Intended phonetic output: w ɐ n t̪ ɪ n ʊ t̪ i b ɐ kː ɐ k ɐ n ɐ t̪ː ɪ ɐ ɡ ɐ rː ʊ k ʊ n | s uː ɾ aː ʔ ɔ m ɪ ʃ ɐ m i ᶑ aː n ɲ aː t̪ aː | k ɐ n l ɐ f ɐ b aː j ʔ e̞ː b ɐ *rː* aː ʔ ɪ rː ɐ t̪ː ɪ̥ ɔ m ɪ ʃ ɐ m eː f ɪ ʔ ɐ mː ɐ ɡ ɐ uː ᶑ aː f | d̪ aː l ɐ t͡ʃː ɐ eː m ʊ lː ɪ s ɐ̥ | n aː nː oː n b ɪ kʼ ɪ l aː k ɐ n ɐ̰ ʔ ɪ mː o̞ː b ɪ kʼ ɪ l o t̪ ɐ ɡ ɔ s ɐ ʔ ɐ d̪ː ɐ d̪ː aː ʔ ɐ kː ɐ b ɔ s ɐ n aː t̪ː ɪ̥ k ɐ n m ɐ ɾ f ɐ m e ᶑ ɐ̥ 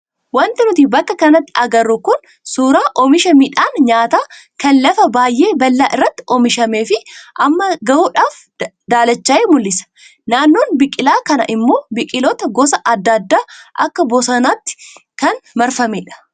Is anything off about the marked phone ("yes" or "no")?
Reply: yes